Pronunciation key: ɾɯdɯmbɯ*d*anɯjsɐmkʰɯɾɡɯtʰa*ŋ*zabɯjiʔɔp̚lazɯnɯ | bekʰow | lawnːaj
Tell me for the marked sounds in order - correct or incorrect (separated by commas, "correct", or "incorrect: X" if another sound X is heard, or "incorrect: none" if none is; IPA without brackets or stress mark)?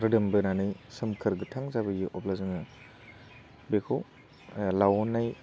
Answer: incorrect: n, correct